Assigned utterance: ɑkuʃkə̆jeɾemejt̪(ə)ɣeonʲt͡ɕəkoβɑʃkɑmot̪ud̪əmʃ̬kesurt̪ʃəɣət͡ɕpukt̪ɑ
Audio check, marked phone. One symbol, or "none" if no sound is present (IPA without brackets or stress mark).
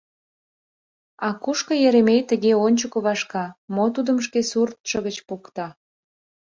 ə